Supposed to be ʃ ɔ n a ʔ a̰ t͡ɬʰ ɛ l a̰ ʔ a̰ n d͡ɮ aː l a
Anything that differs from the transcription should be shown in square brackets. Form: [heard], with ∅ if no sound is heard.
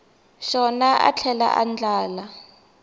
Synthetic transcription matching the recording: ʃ ɔ n a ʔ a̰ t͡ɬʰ ɛ l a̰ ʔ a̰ n d͡ɮ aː l a